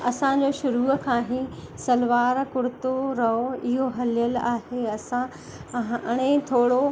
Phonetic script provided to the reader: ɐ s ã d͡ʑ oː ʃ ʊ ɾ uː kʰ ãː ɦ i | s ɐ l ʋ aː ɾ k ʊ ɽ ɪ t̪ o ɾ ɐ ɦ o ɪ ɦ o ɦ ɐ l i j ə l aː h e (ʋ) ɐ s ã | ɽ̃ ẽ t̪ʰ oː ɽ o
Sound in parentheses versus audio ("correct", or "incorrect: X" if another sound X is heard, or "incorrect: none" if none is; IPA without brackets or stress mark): incorrect: none